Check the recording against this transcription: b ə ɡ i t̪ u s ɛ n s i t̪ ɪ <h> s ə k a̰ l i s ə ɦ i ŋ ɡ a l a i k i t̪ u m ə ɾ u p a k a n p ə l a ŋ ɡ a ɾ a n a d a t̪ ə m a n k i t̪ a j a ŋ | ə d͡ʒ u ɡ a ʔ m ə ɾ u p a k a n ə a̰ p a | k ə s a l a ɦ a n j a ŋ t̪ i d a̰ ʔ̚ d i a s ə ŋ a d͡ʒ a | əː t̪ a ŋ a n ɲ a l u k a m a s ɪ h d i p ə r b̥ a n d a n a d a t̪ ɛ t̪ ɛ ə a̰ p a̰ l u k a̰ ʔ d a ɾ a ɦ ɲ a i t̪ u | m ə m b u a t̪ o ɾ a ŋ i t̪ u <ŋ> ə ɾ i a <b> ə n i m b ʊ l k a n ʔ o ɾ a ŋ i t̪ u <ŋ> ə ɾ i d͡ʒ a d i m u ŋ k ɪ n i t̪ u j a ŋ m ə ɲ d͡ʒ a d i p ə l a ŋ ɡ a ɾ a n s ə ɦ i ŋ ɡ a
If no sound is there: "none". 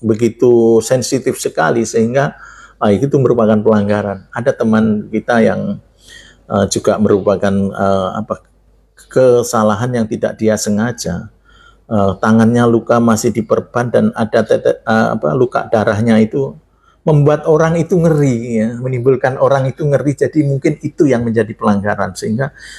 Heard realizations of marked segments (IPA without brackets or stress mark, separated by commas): f, ŋ, m, ŋ